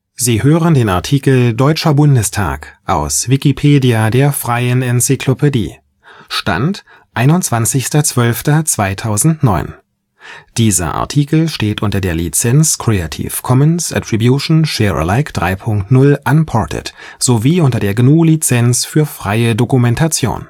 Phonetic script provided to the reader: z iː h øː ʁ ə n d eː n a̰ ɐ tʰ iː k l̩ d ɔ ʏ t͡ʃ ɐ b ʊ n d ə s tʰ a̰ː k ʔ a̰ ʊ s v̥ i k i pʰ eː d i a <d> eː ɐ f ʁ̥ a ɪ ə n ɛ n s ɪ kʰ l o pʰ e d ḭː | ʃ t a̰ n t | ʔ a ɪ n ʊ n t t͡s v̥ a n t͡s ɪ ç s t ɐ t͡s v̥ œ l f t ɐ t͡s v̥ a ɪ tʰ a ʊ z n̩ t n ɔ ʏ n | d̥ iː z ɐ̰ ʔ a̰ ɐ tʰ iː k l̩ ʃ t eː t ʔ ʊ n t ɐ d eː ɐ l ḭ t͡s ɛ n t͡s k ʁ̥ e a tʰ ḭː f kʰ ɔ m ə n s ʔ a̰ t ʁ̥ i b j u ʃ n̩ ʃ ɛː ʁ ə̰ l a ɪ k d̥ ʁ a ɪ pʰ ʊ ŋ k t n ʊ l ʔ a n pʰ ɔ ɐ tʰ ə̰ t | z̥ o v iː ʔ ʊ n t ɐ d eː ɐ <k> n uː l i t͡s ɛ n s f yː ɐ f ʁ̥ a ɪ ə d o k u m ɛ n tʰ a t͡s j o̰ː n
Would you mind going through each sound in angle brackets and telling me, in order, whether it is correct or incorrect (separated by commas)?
correct, incorrect